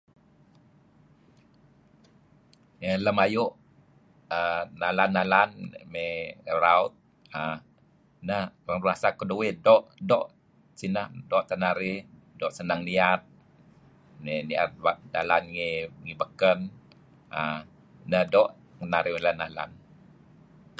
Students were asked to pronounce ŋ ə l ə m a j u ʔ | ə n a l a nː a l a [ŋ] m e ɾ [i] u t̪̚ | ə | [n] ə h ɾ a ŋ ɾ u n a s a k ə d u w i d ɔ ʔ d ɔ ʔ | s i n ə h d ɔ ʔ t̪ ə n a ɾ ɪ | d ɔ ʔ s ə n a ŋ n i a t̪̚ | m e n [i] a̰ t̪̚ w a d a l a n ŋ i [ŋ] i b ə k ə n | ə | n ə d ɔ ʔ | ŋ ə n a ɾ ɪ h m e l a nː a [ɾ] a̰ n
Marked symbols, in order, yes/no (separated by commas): no, no, yes, yes, yes, no